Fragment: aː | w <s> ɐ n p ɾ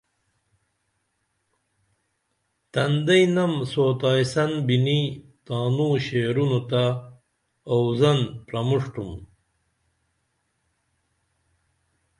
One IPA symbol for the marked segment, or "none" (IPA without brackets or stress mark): z